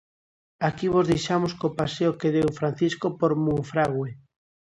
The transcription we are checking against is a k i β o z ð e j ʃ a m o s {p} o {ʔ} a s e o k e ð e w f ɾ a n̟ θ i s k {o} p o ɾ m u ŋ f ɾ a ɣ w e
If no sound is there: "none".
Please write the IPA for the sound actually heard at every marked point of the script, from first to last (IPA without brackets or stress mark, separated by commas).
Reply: k, p, o